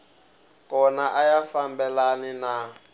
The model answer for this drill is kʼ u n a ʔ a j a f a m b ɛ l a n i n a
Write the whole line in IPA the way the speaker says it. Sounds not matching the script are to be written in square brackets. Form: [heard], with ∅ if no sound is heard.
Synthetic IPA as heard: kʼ [ɔ] n a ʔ a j a f a m b ɛ l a n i n a